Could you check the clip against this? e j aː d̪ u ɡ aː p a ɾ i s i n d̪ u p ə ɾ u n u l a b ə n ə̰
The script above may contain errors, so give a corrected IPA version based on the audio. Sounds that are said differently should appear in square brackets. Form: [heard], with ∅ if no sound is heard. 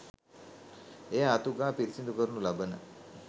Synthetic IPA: e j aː [t̪] u ɡ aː p [i] ɾ i s i n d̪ u [k] ə ɾ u n u l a b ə n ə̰